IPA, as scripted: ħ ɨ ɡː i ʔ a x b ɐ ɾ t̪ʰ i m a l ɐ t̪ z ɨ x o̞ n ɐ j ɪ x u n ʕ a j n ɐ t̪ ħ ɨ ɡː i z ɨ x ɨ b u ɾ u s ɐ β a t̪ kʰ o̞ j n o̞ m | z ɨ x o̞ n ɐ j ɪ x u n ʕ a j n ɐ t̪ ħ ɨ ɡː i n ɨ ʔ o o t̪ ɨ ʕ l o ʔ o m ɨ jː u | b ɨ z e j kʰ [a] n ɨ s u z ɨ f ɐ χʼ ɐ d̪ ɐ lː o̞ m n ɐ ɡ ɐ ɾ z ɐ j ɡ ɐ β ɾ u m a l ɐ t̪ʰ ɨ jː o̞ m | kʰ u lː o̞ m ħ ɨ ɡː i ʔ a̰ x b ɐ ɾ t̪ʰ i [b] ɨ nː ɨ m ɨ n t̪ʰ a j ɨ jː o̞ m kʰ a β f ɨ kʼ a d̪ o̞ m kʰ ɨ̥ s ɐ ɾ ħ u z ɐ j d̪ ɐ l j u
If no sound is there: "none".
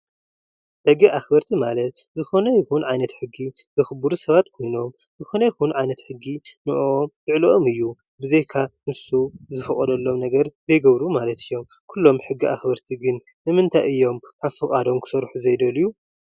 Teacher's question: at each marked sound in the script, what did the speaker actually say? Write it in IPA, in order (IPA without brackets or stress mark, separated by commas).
a, ɡ